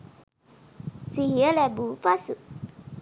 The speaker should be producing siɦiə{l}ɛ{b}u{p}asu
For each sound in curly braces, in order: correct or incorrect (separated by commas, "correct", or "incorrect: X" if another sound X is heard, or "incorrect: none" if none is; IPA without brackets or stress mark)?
correct, correct, correct